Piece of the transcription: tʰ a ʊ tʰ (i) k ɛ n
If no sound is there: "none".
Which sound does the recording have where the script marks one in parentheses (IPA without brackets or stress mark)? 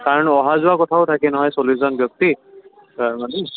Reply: a